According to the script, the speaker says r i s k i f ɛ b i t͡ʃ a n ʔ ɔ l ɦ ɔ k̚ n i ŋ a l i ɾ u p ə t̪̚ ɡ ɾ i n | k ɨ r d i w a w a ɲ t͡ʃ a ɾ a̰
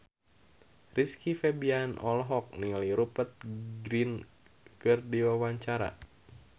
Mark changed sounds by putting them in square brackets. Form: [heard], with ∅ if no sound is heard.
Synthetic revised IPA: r i s k i f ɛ b i [∅] a n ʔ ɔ l ɦ ɔ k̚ n i ŋ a l i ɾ u p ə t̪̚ ɡ ɾ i n | k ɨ r d i w a w a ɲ t͡ʃ a ɾ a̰